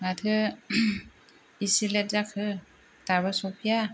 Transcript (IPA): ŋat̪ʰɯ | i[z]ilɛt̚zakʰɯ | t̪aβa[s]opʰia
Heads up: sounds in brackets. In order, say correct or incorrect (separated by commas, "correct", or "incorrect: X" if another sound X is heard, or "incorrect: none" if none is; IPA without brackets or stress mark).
incorrect: s, correct